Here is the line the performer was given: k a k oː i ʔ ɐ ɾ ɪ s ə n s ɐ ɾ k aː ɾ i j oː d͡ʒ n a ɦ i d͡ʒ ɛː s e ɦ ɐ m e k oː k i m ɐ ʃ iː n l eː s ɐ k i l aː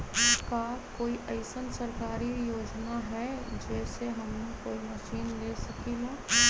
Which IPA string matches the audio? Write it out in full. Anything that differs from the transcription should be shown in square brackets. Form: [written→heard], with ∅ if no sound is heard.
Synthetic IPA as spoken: k a k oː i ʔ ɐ [ɾ→∅] ɪ s ə n s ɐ ɾ k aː ɾ i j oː d͡ʒ n a ɦ [i→ɛ] d͡ʒ ɛː s e ɦ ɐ m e k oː [k→∅] i m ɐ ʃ iː n l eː s ɐ k i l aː